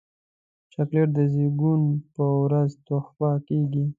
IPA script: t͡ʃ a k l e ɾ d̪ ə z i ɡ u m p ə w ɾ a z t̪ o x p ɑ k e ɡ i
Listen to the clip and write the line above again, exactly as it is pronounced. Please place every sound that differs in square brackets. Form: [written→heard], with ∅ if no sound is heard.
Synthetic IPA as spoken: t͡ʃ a k l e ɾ d̪ ə z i ɡ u [m→n] p ə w ɾ a z t̪ o x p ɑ k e ɡ i